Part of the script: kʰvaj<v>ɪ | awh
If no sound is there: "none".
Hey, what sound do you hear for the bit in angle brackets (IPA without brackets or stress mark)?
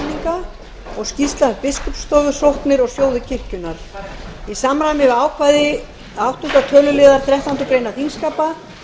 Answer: ð